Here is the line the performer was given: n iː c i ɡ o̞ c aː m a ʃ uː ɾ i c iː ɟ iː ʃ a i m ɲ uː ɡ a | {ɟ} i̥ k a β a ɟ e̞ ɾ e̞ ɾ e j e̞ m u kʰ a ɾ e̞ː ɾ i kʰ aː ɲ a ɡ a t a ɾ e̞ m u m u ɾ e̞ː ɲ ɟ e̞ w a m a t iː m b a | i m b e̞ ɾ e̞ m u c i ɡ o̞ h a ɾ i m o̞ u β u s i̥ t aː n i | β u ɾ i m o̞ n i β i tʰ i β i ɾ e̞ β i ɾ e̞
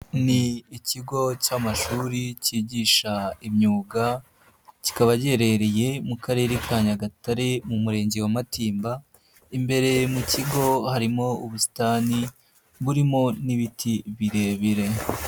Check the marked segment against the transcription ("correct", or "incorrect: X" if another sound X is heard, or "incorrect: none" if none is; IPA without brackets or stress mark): incorrect: c